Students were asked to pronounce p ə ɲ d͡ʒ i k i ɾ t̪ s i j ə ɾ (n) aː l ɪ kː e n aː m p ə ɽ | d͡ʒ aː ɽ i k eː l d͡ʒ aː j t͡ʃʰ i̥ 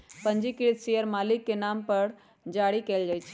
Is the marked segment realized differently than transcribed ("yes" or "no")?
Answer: yes